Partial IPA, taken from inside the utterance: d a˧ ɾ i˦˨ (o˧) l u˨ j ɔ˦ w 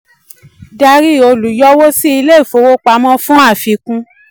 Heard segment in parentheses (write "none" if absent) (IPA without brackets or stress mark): o˧